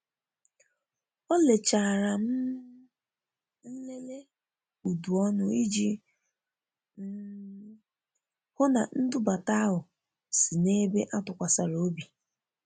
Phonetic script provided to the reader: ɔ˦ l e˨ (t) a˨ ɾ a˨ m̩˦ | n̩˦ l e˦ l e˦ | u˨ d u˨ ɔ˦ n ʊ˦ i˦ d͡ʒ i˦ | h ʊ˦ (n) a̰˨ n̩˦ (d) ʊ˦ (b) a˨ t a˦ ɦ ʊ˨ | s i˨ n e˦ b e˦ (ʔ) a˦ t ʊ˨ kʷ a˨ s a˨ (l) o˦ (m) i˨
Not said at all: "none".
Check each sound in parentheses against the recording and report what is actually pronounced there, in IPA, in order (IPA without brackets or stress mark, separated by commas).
t͡ʃ, n, d, b, ʔ, ɾ, b